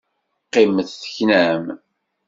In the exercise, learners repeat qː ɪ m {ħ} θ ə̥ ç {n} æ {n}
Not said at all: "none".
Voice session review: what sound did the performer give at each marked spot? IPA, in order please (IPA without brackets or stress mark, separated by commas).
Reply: θ, n, m